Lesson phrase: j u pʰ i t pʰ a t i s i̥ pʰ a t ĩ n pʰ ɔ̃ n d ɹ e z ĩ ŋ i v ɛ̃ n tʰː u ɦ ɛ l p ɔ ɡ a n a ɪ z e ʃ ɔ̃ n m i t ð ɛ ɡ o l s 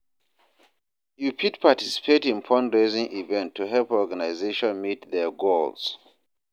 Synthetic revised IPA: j u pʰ i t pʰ a t i s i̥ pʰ e t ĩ n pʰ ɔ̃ n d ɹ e z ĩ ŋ i v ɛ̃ n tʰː u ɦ ɛ l p ɔ ɡ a n a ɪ z e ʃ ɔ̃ n m i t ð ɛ ɡ o l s